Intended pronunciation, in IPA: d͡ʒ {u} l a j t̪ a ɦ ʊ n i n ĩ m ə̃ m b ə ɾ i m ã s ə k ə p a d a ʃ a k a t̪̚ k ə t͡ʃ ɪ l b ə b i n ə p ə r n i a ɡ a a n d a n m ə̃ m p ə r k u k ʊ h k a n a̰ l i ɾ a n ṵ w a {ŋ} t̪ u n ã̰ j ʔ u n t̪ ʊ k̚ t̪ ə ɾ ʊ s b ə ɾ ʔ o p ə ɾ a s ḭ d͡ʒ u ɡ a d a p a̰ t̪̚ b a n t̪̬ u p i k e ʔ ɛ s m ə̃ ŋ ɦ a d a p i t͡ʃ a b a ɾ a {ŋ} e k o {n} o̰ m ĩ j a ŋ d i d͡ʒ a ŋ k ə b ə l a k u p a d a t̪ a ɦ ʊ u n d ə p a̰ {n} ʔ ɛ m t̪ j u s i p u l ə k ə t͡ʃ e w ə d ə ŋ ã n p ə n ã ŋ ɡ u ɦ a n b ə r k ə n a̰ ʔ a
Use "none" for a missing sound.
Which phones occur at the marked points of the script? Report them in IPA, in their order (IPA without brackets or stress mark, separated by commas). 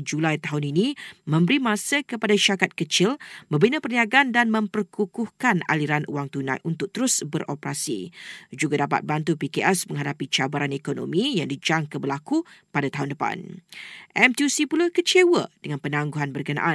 u, ŋ, n, n, n